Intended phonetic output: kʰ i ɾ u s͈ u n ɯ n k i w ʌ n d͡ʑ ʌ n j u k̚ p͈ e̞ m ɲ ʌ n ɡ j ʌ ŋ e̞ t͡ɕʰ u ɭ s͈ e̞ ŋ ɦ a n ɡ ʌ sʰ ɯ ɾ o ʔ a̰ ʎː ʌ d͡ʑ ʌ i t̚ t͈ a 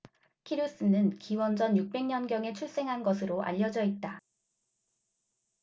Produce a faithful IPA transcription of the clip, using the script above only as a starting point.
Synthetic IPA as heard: kʰ i ɾ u s͈ ɯ n ɯ n k i w ʌ n d͡ʑ ʌ n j u k̚ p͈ e̞ ŋ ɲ ʌ n ɡ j ʌ ŋ e̞ t͡ɕʰ u ɭ s͈ e̞ ŋ ɦ a n ɡ ʌ sʰ ɯ ɾ o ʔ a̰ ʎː ʌ d͡ʑ ʌ i t̚ t͈ a